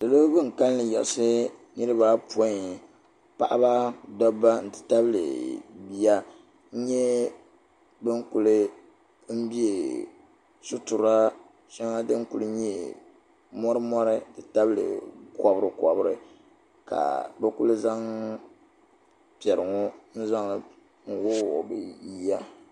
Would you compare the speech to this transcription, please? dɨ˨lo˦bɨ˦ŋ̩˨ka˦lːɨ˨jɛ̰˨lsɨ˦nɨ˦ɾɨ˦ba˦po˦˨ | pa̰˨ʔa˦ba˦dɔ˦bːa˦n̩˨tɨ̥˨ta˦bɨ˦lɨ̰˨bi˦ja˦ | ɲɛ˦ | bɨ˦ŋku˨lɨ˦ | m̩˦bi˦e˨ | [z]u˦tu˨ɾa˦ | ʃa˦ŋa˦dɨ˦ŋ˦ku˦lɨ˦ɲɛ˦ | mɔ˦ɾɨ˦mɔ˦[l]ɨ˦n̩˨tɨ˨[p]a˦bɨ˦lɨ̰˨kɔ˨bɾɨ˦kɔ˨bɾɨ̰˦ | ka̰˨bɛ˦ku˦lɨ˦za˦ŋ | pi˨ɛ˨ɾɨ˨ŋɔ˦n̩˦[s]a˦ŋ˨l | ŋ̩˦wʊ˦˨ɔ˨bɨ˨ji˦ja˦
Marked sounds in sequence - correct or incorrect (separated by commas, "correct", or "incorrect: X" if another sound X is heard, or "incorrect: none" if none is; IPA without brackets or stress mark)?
incorrect: s, incorrect: ɾ, incorrect: t, incorrect: z